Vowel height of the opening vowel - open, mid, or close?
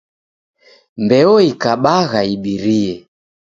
mid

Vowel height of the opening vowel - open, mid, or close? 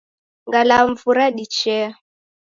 open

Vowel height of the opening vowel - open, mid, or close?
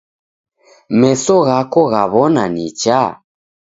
mid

